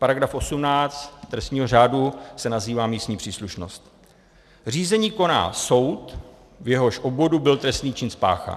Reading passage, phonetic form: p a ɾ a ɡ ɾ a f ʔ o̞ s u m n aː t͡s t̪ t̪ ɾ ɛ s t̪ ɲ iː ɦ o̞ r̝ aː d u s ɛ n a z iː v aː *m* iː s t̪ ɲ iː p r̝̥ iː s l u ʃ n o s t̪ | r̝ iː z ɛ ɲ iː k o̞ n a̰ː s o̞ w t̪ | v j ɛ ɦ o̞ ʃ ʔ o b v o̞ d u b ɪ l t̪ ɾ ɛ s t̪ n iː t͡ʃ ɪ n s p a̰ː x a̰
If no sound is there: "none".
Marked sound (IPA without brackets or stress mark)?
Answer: m